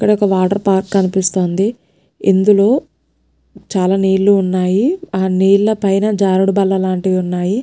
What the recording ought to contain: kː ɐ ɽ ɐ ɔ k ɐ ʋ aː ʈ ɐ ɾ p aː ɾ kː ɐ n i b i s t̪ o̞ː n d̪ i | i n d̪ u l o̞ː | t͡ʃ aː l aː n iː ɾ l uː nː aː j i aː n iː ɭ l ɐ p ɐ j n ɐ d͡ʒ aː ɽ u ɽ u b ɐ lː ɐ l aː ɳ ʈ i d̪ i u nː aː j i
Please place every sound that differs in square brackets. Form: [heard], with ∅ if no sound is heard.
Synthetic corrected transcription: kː ɐ ɽ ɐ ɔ k ɐ ʋ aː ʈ ɐ ɾ p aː ɾ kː ɐ n i [p] i s t̪ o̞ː n d̪ i | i n d̪ u l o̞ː | t͡ʃ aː l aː n iː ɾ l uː nː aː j i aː n iː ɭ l ɐ p ɐ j n ɐ d͡ʒ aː [ɾ] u ɽ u b ɐ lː ɐ l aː ɳ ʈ i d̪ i u nː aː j i